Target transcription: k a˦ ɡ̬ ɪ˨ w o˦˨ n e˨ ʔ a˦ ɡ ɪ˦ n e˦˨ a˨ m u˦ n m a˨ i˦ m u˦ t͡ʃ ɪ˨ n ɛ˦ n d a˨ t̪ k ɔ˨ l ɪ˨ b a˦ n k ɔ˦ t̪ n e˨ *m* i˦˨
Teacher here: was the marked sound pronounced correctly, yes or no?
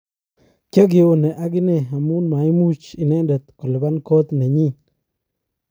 no